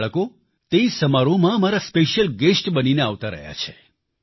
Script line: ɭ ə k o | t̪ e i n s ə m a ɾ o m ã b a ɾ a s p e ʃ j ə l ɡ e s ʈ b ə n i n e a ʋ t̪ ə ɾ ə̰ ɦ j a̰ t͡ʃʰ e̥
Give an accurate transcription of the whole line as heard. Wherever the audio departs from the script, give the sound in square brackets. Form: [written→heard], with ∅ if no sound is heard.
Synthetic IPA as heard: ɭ ə k o | t̪ e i [n→∅] s ə m a ɾ o m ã [b→m] a ɾ a s p e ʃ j ə l ɡ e s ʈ b ə n i n e a ʋ t̪ [ə→a] ɾ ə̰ ɦ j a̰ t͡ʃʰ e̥